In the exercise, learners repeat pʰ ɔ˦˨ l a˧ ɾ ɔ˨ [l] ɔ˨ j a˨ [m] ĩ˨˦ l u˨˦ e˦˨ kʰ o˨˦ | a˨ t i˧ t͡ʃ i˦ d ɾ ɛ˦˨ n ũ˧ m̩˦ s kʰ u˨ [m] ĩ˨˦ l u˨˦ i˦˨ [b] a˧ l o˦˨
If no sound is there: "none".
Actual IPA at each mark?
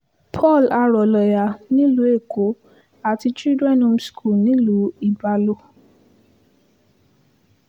l, n, n, b

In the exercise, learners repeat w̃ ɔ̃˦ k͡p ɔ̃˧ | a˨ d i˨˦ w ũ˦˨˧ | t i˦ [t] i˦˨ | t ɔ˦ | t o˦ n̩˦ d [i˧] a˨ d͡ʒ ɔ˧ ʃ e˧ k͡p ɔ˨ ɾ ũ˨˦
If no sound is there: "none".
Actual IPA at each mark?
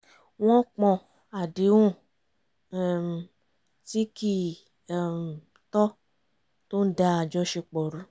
k, a˧

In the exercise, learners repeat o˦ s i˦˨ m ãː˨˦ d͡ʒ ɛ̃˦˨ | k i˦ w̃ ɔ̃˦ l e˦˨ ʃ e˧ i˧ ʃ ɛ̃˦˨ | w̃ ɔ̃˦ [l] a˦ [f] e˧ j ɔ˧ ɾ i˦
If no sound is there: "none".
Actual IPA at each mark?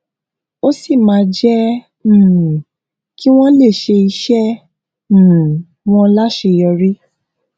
l, ʃ

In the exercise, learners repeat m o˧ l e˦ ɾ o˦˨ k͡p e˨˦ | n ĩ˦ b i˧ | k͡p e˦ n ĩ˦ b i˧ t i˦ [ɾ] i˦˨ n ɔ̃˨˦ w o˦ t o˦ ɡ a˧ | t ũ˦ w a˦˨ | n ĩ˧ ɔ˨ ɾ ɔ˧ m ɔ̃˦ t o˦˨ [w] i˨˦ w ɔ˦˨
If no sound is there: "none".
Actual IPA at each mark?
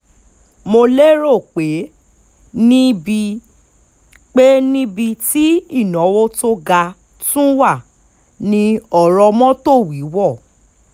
none, w

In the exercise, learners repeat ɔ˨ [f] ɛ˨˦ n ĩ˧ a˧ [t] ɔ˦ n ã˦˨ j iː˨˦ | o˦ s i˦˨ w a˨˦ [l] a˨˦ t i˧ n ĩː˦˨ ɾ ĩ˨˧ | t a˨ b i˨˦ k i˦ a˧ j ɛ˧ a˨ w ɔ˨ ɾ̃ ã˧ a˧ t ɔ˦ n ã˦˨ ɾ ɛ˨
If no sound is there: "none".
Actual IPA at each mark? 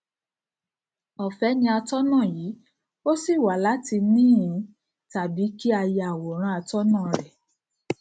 f, t, l

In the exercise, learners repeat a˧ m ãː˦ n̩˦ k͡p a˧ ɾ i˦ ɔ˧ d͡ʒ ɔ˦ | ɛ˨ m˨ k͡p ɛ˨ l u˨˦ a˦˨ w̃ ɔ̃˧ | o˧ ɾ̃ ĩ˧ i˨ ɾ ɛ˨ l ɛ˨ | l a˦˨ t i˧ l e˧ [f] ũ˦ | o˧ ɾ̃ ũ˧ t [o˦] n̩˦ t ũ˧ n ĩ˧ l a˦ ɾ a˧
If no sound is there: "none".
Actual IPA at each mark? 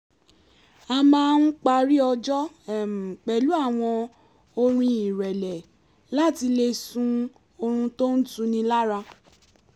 s, o˦

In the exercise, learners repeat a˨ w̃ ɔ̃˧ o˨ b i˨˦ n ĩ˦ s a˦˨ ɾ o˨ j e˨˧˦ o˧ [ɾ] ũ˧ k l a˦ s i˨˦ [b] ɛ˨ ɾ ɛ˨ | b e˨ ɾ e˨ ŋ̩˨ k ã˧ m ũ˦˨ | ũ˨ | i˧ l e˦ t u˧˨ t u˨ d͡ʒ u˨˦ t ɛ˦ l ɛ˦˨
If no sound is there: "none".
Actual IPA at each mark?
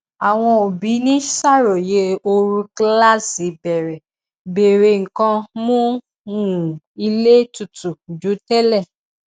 ɾ, b

